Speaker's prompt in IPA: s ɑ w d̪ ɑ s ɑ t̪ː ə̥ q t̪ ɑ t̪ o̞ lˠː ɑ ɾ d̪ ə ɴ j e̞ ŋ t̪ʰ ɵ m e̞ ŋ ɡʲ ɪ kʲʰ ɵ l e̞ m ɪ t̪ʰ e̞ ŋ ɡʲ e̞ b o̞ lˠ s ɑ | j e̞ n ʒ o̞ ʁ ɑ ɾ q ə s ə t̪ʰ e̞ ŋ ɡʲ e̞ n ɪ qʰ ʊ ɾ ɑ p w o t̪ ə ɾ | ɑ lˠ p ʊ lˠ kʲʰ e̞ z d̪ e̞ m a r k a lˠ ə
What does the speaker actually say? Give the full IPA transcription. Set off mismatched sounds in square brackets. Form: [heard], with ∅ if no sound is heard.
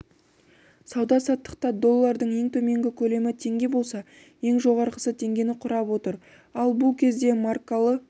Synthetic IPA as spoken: s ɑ w d̪ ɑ s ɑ t̪ː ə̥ q t̪ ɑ [d̪] o̞ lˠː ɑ ɾ d̪ ə ɴ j e̞ ŋ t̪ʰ ɵ m e̞ ŋ ɡʲ ɪ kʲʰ ɵ l e̞ m ɪ t̪ʰ e̞ ŋ ɡʲ e̞ b o̞ lˠ s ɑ | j e̞ [ŋ] ʒ o̞ ʁ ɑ ɾ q ə s ə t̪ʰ e̞ ŋ ɡʲ e̞ n ɪ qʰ ʊ ɾ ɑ p w o t̪ ə ɾ | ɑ lˠ [b] ʊ lˠ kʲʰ e̞ z d̪ e̞ m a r k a lˠ ə

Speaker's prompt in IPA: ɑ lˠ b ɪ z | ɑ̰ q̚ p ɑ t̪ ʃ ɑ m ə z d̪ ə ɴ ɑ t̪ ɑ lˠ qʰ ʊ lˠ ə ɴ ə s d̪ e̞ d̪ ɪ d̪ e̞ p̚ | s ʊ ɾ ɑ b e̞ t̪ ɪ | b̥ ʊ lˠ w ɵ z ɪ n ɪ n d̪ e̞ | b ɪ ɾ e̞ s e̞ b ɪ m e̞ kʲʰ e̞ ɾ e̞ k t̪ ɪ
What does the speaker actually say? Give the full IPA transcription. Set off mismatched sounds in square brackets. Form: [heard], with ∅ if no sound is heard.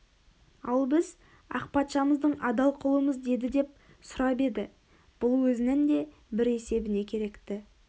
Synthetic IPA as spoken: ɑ lˠ b ɪ z | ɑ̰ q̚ p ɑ t̪ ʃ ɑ m ə z d̪ ə ɴ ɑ [d̪] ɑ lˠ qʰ ʊ lˠ ə [m] ə [z] d̪ e̞ d̪ ɪ d̪ e̞ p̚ | s ʊ ɾ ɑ b e̞ [d̪] ɪ | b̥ ʊ lˠ w ɵ z ɪ n ɪ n d̪ e̞ | b ɪ ɾ e̞ s e̞ b ɪ [n] e̞ kʲʰ e̞ ɾ e̞ k t̪ ɪ

